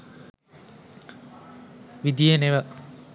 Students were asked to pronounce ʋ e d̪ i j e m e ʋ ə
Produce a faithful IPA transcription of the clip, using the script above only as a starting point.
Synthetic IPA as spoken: ʋ i d̪ i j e n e ʋ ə